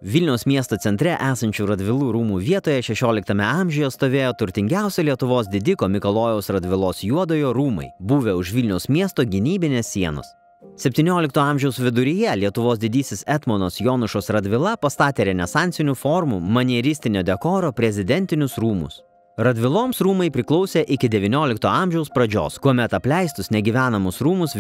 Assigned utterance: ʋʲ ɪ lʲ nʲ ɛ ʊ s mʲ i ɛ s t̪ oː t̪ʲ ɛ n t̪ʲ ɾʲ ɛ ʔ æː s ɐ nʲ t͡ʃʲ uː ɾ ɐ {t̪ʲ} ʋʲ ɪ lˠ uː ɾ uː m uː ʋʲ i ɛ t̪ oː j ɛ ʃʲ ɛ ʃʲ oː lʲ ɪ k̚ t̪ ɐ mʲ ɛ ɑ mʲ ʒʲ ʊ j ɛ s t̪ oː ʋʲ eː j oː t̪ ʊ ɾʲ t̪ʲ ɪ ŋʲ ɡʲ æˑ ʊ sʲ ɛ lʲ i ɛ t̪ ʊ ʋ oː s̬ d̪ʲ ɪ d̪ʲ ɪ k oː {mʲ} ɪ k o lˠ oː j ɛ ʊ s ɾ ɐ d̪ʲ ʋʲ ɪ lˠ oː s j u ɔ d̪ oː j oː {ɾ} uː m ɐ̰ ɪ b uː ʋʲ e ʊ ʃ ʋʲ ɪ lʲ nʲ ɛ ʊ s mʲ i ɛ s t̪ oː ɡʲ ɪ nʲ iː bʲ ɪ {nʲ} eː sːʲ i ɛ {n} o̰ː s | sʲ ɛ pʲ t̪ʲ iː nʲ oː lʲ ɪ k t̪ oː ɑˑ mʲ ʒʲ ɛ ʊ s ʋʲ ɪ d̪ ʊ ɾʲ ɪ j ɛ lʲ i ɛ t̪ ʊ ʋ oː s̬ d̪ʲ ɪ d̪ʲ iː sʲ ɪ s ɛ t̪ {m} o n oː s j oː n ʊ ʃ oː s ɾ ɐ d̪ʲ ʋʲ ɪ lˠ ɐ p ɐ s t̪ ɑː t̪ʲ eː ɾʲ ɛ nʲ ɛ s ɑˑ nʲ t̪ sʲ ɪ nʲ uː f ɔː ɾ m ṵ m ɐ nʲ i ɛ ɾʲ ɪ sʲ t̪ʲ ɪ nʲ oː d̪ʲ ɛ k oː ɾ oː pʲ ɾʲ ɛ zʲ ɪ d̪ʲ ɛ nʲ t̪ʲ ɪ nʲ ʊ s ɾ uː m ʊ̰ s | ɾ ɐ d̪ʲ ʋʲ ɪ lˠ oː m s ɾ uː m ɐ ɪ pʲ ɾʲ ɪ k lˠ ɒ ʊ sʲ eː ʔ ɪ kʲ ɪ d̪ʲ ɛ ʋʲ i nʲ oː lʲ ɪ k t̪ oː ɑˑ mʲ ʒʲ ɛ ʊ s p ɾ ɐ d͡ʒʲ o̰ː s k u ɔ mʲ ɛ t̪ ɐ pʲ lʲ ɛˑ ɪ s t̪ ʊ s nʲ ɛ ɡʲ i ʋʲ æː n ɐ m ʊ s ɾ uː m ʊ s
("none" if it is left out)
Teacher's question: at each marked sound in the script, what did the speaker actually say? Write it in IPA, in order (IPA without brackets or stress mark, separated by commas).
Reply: d̪ʲ, mʲ, ɾ, nʲ, n, m